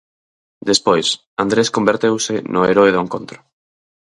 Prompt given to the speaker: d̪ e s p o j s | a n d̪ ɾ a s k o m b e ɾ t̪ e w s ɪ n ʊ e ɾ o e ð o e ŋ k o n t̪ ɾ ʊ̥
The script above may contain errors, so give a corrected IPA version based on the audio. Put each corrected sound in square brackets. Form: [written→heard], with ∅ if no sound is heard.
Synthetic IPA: d̪ e s p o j s | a n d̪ ɾ [a→e] s k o m b e ɾ t̪ e w s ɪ n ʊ e ɾ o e ð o e ŋ k o n t̪ ɾ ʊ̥